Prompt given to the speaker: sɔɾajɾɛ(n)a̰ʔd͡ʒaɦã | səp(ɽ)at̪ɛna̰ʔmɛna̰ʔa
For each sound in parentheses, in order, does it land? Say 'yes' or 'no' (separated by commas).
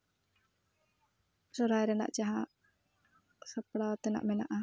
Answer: yes, yes